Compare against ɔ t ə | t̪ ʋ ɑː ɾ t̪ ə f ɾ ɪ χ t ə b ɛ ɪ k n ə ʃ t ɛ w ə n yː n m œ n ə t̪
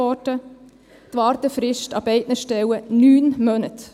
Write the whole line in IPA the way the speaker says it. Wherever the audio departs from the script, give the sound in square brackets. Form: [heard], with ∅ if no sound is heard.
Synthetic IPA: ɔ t ə | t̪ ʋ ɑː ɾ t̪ ə f ɾ ɪ [ʃ] t [ɑ] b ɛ ɪ [t] n ə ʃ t ɛ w ə n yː n m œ n ə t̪